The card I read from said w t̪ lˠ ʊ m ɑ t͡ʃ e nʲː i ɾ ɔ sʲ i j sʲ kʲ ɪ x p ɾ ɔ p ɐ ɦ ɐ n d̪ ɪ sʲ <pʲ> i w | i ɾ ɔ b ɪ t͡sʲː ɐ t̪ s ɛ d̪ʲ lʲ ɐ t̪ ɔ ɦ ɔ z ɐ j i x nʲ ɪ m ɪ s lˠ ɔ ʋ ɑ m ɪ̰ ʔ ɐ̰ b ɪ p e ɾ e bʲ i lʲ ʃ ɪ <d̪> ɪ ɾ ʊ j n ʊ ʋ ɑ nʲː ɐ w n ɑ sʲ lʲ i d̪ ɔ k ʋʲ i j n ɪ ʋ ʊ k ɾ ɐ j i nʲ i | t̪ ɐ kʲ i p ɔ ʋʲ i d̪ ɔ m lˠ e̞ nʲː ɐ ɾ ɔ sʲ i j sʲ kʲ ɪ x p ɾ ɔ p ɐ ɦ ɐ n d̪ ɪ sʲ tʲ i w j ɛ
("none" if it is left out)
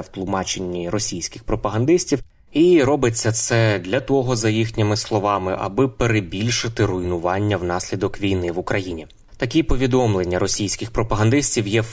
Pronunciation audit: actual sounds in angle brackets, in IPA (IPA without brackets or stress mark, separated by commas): tʲ, t̪